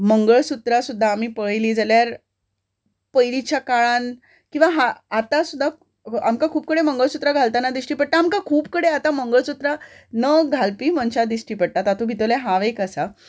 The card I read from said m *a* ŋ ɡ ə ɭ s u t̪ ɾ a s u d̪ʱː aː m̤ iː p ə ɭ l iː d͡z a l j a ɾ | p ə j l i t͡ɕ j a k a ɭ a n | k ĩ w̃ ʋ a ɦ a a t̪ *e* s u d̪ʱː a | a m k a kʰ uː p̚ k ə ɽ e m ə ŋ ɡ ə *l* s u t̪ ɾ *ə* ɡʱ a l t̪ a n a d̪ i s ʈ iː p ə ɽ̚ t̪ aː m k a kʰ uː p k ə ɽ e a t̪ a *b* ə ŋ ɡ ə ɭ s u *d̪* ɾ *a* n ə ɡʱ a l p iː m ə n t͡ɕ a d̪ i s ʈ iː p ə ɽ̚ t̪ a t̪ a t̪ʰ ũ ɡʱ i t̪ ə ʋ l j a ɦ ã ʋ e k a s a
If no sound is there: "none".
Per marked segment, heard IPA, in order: ə, a, ɭ, a, m, t̪, a

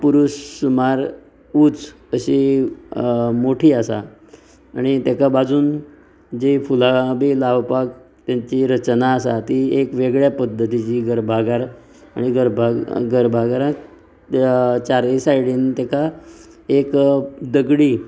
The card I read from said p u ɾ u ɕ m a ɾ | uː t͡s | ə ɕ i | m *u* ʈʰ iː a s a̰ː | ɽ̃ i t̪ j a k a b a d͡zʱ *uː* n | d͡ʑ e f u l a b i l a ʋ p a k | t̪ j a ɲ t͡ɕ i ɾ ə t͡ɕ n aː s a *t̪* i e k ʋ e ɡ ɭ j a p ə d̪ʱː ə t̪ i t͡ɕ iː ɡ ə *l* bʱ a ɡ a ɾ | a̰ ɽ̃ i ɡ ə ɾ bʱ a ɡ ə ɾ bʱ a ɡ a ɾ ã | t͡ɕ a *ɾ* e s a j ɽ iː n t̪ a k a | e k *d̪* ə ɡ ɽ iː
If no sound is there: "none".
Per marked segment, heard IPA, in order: o, uː, t̪, ɾ, ɾ, d̪

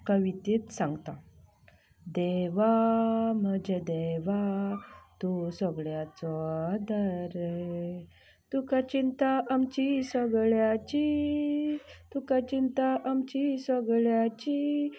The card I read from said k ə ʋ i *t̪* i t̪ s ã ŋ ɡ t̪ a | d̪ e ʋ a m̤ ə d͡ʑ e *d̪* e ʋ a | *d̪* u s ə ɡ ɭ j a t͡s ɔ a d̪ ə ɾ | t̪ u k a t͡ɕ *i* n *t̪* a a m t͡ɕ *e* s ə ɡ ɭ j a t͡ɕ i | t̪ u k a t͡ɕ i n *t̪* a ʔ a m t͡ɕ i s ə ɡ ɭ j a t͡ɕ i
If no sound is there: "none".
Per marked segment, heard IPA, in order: t̪, d̪, t̪, i, t̪, i, t̪

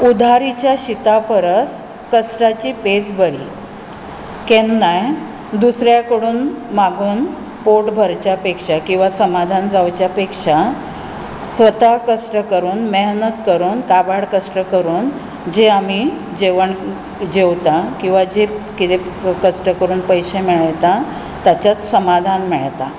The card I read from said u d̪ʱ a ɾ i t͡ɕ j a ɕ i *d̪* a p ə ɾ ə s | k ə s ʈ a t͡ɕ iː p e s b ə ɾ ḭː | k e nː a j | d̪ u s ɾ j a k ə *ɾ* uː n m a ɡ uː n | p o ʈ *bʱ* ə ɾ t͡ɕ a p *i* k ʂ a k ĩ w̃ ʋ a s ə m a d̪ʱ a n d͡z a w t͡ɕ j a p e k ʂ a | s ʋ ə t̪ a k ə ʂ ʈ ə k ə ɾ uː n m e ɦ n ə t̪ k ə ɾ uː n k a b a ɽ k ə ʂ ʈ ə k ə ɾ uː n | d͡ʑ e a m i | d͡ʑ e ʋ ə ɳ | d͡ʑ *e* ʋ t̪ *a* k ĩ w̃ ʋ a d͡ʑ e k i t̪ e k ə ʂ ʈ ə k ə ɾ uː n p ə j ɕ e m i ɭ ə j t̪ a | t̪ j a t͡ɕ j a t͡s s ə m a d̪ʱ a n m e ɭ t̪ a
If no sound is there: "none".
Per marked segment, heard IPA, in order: t̪, ɽ, bʱ, e, e, a

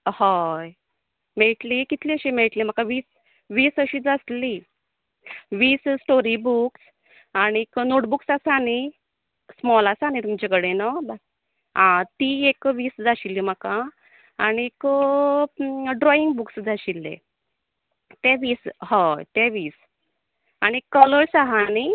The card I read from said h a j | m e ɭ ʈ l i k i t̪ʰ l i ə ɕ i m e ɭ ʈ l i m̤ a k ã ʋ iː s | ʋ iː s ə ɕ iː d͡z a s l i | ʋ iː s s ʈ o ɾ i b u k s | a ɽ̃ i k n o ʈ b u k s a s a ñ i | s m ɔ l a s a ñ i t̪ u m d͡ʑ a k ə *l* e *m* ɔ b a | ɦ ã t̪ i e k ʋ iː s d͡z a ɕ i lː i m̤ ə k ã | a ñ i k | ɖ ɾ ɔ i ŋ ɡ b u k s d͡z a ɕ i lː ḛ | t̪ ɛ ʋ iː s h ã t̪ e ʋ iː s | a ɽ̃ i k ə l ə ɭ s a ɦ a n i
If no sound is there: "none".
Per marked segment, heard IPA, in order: ɽ, n

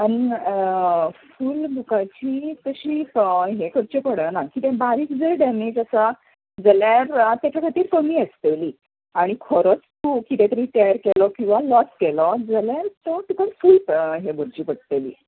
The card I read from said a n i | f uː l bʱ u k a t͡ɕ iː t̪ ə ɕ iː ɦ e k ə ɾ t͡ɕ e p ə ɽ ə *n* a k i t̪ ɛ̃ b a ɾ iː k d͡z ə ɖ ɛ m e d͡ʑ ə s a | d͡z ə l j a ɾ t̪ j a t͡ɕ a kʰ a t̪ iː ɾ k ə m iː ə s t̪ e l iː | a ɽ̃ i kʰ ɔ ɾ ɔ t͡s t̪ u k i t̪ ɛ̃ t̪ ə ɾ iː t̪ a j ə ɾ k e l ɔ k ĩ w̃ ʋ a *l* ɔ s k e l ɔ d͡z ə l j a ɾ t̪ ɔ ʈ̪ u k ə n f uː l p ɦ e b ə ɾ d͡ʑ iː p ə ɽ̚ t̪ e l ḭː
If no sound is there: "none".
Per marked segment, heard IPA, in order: n, l

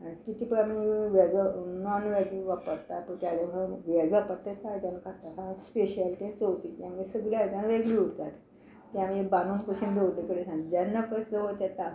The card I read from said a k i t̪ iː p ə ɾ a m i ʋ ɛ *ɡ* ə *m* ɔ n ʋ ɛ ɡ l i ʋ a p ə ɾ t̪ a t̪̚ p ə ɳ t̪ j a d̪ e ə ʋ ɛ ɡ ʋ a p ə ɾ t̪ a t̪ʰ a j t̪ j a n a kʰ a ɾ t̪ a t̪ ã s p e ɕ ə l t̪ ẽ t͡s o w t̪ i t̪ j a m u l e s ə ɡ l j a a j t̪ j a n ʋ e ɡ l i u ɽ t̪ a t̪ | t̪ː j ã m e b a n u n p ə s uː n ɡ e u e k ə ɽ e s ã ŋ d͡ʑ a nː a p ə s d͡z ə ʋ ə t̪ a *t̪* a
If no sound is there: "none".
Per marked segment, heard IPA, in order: ɡ, n, t̪

